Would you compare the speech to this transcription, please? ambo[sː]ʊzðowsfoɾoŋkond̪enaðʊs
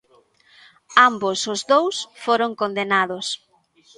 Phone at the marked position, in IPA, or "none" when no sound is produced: s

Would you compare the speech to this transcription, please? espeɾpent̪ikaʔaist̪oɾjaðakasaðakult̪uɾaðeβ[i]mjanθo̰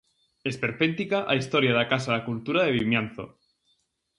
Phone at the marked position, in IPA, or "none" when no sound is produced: i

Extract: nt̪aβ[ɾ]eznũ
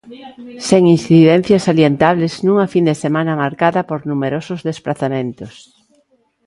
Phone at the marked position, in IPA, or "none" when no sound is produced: l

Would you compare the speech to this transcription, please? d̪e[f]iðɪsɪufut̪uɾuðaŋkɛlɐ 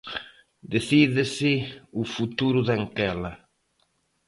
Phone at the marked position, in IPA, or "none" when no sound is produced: θ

